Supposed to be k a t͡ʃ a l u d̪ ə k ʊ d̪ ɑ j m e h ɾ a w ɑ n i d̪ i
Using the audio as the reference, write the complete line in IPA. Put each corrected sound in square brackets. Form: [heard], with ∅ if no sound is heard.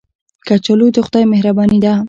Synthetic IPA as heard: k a t͡ʃ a l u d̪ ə [x] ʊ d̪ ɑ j m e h ɾ a [b] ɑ n i d̪ [a]

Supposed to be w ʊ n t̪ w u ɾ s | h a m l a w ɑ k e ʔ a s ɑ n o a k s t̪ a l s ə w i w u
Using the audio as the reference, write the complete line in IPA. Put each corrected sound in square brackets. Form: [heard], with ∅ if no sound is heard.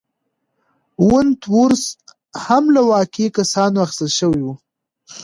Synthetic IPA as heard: w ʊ n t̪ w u ɾ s | h a m l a w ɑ k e [k] a s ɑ n o a [x] s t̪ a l [ʃ] ə w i w u

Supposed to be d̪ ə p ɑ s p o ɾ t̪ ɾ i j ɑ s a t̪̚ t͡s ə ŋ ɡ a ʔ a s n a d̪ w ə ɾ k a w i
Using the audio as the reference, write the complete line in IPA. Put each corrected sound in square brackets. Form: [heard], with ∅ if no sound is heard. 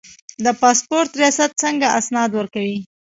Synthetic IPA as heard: d̪ ə p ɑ s p o ɾ t̪ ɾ i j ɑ s a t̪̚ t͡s ə ŋ ɡ a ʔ a s n [ɑ] d̪ w ə ɾ k a w i

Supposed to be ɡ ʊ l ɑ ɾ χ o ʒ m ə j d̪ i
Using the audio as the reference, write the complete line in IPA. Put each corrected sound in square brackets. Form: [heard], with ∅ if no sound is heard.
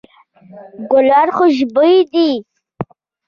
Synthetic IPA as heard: ɡ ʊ l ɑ ɾ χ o ʒ [b] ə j d̪ i

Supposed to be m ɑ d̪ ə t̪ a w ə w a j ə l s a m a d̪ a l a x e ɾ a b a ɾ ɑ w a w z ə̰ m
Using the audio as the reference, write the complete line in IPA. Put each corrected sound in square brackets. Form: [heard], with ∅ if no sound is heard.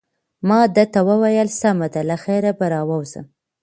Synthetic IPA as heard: m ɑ d̪ ə t̪ a w ə w a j ə l s a m a d̪ a l a x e ɾ a b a ɾ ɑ w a w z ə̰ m

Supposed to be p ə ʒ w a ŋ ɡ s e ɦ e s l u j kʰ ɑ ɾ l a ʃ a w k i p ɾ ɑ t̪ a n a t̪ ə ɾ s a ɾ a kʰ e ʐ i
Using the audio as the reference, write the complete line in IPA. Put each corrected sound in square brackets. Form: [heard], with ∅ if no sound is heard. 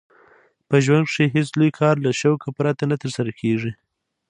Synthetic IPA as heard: p ə ʒ w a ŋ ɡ [ʂ] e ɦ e s l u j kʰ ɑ ɾ l a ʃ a w k [a] p ɾ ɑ t̪ a n a t̪ ə ɾ s a ɾ a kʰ e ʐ i

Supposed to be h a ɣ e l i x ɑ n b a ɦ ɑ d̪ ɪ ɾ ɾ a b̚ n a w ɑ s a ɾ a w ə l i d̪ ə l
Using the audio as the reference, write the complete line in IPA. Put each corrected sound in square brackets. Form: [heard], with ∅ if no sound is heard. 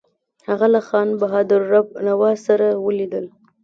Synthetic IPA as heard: h a ɣ [a] l [a] x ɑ n b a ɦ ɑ d̪ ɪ ɾ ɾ a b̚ n a w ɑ s a ɾ a w ə l i d̪ ə l

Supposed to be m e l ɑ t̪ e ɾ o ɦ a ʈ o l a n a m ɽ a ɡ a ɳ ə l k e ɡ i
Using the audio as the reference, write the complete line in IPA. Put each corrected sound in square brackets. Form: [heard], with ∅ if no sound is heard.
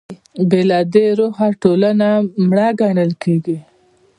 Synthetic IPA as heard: [b] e l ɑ [d̪] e ɾ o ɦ a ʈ o l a n a m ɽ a ɡ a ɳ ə l k e ɡ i

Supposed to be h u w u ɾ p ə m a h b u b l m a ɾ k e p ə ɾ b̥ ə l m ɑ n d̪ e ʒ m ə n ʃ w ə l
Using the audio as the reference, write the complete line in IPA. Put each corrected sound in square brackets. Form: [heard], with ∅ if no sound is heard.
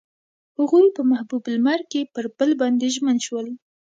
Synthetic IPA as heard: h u [ɣ] u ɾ p ə m a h b u b l m a ɾ k e p ə ɾ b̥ ə l [b] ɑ n d̪ e ʒ m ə n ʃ w ə l

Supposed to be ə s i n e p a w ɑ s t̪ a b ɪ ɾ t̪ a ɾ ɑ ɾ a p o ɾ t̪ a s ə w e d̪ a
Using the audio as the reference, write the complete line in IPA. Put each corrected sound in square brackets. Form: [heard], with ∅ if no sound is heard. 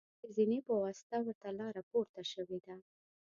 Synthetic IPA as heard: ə [z] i n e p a w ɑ s t̪ a [w] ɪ ɾ t̪ a [l] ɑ ɾ a p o ɾ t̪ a [ʃ] ə w e d̪ a

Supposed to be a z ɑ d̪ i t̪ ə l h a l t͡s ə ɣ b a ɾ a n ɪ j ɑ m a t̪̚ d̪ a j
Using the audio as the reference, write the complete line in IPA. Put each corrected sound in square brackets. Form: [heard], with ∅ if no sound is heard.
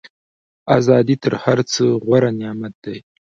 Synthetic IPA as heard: a z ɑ d̪ i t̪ ə [ɾ] h a [ɾ] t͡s ə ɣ [w] a ɾ a n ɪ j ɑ m a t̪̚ d̪ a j

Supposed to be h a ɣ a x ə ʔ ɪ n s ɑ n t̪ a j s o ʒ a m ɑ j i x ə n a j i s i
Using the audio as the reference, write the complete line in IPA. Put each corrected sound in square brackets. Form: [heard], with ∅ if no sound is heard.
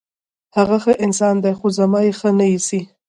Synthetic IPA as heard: h a ɣ a x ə ʔ ɪ n s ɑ n [d̪] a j [x] o [z] a m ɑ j [e] x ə n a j i s i

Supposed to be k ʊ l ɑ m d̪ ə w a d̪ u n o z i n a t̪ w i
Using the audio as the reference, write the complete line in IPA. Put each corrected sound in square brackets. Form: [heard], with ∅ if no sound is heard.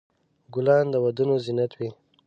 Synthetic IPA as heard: [ɡ] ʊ l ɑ [n] d̪ ə w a d̪ u n o z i n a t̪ w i

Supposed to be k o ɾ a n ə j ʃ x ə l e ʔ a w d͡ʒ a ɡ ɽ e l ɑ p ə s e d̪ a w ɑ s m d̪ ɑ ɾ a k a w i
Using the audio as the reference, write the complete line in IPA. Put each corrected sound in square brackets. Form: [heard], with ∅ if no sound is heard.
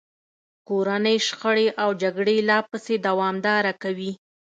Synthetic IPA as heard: k o ɾ a n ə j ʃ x ə [ɽ] e ʔ a w d͡ʒ a ɡ ɽ e l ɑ p ə s e d̪ a w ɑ [∅] m d̪ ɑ ɾ a k a w i

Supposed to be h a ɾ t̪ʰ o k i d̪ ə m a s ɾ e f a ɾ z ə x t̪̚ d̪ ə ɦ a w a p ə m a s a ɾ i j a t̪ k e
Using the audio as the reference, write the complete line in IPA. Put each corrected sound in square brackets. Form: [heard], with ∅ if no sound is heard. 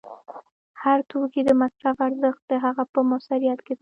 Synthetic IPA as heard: h a ɾ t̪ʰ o k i d̪ ə m a s ɾ [a] f a ɾ z ə x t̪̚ d̪ ə ɦ a [ɣ] a p ə m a s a ɾ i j a t̪ k e

